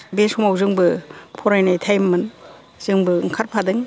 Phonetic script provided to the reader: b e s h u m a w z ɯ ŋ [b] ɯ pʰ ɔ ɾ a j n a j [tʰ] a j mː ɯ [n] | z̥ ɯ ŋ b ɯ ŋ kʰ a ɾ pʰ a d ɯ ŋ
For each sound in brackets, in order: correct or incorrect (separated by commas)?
correct, correct, correct